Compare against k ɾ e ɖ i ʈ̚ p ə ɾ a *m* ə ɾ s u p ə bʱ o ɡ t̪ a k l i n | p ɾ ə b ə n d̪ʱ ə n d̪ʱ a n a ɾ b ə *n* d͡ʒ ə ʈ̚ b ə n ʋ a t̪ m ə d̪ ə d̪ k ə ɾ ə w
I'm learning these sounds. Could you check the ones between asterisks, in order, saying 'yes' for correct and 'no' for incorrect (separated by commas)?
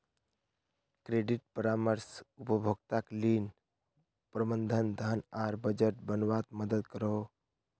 yes, no